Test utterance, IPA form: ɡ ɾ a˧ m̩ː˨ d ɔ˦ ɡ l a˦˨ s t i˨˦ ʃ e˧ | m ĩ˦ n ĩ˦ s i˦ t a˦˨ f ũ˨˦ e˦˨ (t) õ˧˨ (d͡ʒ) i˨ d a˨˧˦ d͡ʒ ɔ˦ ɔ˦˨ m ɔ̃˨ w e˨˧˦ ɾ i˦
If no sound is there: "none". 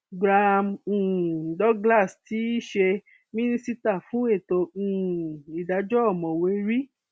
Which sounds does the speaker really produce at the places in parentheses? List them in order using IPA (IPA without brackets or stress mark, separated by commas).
t, none